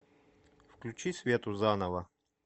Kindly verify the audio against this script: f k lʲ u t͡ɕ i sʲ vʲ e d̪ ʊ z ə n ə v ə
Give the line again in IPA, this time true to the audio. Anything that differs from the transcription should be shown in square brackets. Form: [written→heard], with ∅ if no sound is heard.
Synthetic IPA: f k lʲ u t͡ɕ i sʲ vʲ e [d̪→t̪] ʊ z [ə→a] n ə v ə